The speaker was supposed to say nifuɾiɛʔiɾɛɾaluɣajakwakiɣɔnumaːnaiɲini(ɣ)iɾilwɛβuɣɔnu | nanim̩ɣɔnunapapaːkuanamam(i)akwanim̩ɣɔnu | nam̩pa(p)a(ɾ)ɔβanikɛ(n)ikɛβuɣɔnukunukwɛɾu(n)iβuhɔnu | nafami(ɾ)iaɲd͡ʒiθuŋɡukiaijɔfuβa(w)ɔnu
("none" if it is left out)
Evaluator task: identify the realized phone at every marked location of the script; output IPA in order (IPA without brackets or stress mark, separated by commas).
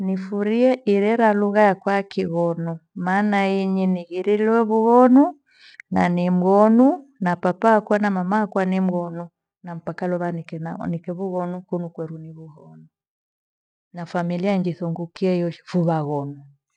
ɣ, a, k, l, n, n, l, ɣ